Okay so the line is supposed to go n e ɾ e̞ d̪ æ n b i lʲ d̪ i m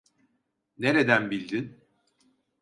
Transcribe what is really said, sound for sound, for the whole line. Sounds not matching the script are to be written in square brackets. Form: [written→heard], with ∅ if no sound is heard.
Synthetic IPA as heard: n e ɾ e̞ d̪ æ n b i lʲ d̪ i [m→n]